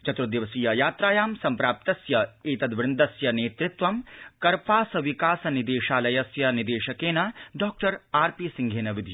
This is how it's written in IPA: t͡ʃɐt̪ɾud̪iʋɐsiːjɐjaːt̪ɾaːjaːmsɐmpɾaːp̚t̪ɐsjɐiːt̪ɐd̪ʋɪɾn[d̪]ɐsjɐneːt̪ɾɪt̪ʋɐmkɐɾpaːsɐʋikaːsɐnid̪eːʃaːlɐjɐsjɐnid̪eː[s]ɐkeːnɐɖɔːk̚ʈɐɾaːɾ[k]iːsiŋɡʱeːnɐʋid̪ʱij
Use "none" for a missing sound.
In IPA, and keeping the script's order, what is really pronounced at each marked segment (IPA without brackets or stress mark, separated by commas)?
d̪, ʃ, p